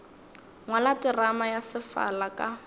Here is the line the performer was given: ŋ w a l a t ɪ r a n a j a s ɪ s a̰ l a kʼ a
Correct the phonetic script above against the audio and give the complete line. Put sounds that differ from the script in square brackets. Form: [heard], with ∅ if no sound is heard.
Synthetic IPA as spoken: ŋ w a l a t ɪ r a [m] a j a s ɪ [f] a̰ l a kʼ a